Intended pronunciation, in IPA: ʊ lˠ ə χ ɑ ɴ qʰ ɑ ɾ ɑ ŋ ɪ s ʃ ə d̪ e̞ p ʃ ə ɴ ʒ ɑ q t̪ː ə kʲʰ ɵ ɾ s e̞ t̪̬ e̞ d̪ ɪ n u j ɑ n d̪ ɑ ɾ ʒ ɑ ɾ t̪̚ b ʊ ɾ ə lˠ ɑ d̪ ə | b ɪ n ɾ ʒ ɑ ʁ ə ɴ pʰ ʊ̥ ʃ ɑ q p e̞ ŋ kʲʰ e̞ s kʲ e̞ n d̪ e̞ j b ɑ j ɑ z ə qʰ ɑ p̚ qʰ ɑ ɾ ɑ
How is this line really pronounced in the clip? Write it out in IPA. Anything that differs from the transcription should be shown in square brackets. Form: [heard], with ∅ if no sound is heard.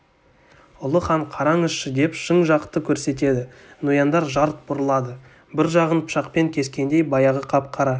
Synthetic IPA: ʊ lˠ ə χ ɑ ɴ qʰ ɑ ɾ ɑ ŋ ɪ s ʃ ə d̪ e̞ p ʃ ə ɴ ʒ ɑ q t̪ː ə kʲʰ ɵ ɾ s e̞ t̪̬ e̞ d̪ ɪ n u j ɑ n d̪ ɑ ɾ ʒ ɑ ɾ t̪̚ b ʊ ɾ ə lˠ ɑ d̪ ə | b ɪ [∅] ɾ ʒ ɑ ʁ ə [n] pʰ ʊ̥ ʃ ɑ q p e̞ ŋ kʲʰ e̞ s kʲ e̞ n d̪ e̞ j b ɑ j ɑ [ʁ] ə qʰ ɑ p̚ qʰ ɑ ɾ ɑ